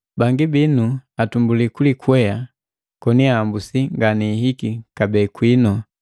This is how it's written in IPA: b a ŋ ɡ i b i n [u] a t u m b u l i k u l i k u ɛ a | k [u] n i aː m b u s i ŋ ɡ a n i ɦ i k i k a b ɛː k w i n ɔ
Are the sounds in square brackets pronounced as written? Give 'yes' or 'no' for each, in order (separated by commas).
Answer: yes, no